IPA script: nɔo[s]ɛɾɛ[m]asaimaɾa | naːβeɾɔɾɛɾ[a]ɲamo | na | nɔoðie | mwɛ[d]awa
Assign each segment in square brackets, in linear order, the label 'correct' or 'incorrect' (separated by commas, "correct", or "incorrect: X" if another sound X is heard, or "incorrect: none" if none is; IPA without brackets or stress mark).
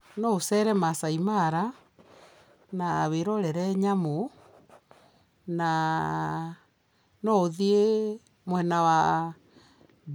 correct, correct, incorrect: ɛ, incorrect: n